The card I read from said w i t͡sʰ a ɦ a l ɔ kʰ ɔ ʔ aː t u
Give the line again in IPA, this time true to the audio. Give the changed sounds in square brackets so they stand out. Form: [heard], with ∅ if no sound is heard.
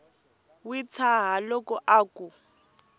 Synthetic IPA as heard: w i t͡sʰ a ɦ a l ɔ [k] ɔ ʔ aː [k] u